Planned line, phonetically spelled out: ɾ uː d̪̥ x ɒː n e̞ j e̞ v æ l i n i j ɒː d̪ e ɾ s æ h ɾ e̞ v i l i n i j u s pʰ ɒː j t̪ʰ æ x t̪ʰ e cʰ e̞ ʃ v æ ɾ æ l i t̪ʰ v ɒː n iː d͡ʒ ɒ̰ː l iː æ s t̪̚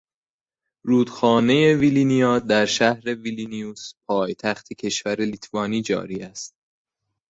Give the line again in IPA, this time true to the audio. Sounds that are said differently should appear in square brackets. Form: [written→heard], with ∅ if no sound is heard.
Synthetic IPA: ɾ uː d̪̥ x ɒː n e̞ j e̞ v [æ→i] l i n i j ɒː d̪ [e→æ] ɾ [s→ʃ] æ h ɾ e̞ v i l i n i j u s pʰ ɒː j t̪ʰ æ x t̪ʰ e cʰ e̞ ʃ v æ ɾ [æ→e] l i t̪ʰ v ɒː n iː d͡ʒ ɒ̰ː [l→ɾ] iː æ s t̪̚